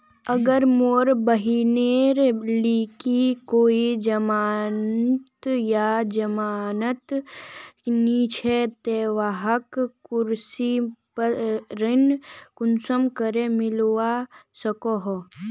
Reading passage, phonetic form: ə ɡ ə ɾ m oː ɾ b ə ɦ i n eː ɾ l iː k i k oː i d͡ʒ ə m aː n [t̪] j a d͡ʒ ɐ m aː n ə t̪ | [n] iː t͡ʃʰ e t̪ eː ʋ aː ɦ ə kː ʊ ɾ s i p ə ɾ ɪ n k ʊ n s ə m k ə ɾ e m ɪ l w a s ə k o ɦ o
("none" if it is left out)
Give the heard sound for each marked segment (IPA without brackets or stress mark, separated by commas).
t̪, n